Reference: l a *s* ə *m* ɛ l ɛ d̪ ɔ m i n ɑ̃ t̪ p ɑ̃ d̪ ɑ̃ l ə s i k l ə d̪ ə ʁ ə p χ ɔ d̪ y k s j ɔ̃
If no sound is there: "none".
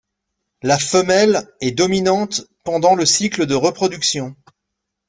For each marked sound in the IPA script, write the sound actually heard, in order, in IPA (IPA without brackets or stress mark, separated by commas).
f, m